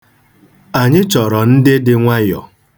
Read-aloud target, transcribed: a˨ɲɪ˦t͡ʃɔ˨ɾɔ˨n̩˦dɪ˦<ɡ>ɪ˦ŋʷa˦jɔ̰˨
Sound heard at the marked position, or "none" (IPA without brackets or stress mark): d